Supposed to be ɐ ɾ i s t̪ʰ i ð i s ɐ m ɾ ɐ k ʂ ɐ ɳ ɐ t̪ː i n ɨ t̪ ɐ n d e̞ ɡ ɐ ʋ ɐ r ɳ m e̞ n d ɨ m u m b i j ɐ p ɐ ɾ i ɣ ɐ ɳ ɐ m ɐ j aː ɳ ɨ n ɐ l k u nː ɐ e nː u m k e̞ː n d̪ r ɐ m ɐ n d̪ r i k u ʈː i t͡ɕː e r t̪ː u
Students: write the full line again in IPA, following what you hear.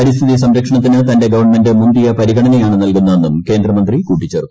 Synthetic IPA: ɐ ɾ i s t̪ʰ i ð i s ɐ m ɾ ɐ k ʂ ɐ ɳ ɐ t̪ː i n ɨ t̪ ɐ n d e̞ ɡ ɐ ʋ ɐ r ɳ m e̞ n d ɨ m u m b i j ɐ p ɐ ɾ i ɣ ɐ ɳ ɐ n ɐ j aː ɳ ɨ n ɐ l k u nː ɐ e nː u m k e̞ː n d̪ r ɐ m ɐ n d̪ r i k uː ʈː i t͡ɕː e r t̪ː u